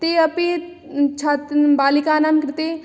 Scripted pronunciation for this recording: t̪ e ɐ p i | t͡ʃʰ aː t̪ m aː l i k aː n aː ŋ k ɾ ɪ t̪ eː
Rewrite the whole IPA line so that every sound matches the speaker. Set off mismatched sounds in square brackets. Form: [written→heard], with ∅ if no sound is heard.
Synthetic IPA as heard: t̪ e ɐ p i | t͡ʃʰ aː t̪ [m→b] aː l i k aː n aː [ŋ→m] k ɾ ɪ t̪ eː